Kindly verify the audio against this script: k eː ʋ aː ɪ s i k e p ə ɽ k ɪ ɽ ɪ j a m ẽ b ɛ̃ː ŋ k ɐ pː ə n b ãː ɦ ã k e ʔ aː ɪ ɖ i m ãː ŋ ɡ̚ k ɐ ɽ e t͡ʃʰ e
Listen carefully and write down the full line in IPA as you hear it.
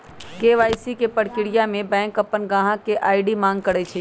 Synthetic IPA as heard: k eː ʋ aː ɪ s i k e p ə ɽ k ɪ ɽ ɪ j a m ẽ b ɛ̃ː ŋ k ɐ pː ə n ɡ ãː ɦ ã k e ʔ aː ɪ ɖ i m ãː ŋ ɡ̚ k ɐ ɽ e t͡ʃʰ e